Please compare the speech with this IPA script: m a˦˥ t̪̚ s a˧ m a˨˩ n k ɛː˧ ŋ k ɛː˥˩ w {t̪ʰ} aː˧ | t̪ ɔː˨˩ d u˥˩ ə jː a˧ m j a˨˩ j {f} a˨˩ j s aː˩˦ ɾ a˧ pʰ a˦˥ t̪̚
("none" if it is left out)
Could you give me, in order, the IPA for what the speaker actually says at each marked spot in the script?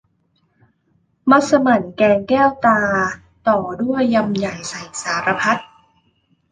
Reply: t̪, s

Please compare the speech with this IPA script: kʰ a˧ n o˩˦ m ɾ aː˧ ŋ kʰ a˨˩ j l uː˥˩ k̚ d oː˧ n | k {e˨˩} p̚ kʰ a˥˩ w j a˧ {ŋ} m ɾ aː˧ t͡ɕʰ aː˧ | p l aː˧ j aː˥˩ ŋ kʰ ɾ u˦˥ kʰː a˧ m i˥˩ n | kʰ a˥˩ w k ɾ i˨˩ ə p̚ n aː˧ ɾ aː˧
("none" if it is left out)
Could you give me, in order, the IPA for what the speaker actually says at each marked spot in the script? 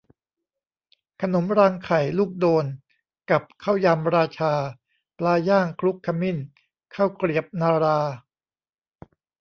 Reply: a˨˩, none

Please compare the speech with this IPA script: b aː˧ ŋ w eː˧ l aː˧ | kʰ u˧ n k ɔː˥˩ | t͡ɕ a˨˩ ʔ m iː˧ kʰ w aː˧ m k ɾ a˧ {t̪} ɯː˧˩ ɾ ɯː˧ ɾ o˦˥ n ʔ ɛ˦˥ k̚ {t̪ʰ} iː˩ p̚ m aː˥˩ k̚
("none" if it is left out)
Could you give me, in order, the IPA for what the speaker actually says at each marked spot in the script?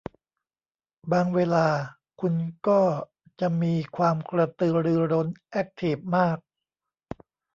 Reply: t̪, t̪ʰ

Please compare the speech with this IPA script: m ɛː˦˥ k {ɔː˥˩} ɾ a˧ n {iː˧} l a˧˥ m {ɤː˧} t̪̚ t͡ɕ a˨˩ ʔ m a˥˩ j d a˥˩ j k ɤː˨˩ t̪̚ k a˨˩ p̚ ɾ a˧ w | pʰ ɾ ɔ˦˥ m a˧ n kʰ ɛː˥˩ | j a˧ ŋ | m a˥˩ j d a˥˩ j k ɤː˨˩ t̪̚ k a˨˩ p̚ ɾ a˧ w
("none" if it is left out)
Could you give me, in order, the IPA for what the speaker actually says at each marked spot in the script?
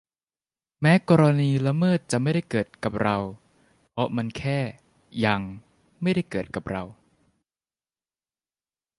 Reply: ɔː˧, iː˧, ɤː˥˩

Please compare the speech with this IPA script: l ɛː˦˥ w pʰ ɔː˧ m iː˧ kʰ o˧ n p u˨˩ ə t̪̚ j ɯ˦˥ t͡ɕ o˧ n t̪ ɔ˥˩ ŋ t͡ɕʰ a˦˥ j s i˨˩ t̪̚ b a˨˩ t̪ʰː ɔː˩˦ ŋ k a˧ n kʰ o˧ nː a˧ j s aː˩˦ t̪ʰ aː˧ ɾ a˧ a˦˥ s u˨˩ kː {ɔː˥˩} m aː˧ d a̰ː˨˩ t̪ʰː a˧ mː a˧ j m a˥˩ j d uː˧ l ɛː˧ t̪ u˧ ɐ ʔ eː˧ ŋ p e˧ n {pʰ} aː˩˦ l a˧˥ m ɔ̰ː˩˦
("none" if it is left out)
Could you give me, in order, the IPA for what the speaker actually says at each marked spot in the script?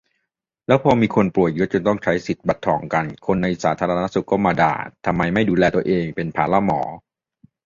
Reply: ɔː˥˩, pʰ

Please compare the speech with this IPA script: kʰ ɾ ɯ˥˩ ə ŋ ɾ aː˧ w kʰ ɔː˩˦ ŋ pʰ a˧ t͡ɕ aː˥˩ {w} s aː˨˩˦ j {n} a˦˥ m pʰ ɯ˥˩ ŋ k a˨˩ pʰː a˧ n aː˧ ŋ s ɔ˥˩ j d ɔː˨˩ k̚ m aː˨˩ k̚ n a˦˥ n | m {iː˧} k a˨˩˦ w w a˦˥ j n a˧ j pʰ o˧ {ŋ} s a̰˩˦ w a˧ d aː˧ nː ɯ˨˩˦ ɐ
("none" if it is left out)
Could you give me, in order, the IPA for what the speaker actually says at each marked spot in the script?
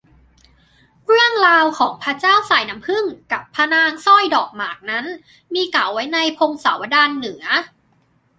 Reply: w, n, iː˧, ŋ

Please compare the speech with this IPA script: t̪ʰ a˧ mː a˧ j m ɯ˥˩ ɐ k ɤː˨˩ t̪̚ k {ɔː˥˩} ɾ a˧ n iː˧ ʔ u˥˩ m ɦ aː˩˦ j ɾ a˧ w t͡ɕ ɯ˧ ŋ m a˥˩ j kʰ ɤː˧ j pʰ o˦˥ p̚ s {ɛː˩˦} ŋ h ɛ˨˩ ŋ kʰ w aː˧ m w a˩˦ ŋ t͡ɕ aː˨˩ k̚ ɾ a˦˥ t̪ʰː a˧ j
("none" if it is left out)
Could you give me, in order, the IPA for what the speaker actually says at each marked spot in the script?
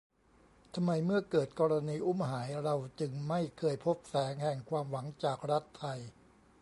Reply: ɔː˧, ɛː˩˦

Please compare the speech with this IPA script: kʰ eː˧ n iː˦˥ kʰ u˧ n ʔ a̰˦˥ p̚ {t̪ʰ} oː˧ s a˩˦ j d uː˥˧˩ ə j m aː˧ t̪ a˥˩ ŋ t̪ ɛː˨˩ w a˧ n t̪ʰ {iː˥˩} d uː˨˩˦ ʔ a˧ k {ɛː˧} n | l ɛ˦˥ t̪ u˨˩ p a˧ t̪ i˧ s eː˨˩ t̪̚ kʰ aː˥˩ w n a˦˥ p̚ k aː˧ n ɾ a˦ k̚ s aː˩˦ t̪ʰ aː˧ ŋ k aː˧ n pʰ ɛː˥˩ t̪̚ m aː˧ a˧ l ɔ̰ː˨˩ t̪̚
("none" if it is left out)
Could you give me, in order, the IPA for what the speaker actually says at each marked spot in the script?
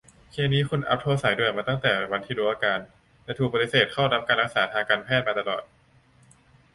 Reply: t̪ʰ, iː˧, aː˧

